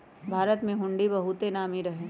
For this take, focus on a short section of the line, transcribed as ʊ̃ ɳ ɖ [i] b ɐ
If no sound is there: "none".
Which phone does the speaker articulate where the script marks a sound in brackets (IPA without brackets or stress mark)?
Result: i